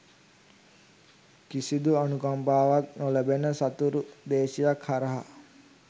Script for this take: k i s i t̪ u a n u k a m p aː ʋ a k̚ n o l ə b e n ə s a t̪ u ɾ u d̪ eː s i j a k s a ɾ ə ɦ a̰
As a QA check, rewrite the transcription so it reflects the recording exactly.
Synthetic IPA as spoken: k i s i d̪ u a n u k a m p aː ʋ a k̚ n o l ə b e n ə s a t̪ u ɾ u d̪ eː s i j a k h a ɾ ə ɦ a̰

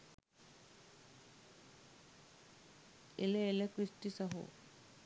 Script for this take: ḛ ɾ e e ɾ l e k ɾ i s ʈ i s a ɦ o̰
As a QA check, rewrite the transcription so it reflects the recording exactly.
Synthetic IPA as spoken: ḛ l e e l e k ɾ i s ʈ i s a ɦ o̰

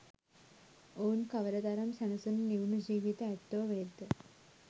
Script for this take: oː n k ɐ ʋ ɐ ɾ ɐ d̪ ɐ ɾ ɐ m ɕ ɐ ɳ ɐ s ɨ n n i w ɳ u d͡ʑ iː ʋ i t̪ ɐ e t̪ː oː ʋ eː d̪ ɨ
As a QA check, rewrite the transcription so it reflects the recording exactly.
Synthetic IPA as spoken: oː n k ɐ ʋ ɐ ɾ ɐ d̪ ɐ ɾ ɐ m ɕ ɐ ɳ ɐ s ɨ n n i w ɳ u d͡ʑ iː ʋ i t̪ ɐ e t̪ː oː ʋ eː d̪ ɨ

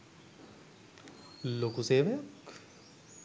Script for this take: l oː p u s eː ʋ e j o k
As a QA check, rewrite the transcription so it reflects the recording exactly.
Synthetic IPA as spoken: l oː k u s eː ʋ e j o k

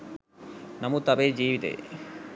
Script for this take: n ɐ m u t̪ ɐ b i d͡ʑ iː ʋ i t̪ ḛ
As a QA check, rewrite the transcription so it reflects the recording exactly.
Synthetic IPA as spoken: n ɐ m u t̪ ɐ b e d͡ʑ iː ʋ i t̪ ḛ

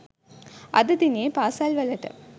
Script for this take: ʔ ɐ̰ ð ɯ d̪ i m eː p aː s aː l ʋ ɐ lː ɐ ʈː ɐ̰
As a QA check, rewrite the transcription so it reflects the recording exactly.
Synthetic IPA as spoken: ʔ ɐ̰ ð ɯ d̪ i n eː p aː s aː l ʋ ɐ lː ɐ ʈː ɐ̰

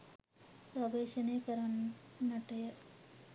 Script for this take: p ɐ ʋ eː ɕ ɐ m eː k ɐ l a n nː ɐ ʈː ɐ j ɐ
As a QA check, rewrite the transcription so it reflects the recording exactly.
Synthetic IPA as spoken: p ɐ ʋ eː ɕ ɐ n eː k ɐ ɾ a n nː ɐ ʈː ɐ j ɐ

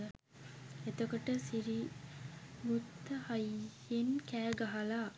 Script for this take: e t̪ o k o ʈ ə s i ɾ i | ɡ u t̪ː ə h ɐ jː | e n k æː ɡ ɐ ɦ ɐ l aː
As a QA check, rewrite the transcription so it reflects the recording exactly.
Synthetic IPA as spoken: e t̪ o k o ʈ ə s i ɾ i | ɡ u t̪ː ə h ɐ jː | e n k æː ɡ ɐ ɦ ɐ l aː

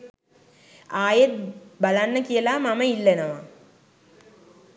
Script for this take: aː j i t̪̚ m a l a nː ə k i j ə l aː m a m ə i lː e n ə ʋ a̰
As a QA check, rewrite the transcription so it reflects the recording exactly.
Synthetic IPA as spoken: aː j e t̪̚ b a l a nː ə k i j ə l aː m a m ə i lː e n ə ʋ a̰

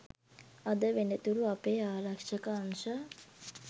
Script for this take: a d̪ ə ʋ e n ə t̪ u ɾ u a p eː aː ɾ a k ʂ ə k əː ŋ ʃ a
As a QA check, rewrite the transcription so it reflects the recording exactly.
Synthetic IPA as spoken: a d̪ ə ʋ e n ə t̪ u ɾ u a p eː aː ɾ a k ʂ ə k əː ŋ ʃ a

